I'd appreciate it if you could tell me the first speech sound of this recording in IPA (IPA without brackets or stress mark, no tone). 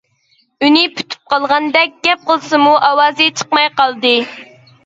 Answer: y